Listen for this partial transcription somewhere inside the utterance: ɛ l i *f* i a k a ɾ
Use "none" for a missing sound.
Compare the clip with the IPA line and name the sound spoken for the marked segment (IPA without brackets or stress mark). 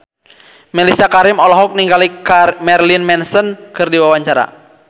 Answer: s